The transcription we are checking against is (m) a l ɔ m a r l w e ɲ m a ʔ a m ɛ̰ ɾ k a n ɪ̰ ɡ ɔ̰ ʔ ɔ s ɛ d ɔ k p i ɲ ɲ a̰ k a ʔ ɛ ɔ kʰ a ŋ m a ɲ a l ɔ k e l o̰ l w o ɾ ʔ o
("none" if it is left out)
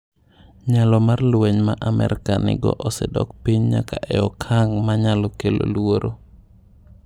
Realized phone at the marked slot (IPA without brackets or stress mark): ɲ